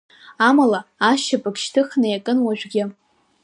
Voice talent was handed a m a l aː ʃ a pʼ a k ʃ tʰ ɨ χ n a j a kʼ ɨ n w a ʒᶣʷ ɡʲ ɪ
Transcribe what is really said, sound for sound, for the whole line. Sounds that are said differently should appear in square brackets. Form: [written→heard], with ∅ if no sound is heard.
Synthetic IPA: a m a l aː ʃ a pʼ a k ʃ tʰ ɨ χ n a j a kʼ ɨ n w a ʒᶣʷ ɡʲ ɪ